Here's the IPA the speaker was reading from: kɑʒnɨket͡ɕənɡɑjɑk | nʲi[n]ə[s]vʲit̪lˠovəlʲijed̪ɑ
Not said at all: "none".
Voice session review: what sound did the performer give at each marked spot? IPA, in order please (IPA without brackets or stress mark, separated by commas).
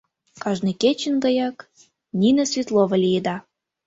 n, s